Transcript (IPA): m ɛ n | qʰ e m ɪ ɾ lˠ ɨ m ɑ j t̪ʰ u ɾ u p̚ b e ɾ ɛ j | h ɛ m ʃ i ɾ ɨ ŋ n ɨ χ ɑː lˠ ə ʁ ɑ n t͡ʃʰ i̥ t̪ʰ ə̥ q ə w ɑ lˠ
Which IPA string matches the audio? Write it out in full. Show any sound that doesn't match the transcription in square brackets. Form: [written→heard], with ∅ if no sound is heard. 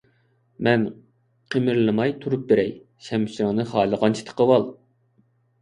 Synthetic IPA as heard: m ɛ n | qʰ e m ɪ ɾ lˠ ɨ m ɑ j t̪ʰ u ɾ u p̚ b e ɾ ɛ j | [h→ʃ] ɛ m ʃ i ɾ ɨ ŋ n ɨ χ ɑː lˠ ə ʁ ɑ n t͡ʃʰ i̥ t̪ʰ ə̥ q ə w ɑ lˠ